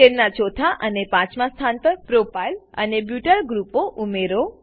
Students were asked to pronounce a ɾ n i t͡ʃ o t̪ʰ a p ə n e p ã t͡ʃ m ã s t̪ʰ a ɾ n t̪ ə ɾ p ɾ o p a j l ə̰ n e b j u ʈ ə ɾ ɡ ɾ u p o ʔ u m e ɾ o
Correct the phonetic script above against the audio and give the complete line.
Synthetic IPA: e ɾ n a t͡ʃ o t̪ʰ a ʔ ə n e p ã t͡ʃ m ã s t̪ʰ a n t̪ ə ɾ p ɾ o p a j l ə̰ n e b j u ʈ ə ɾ ɡ ɾ u p o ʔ u m e ɾ o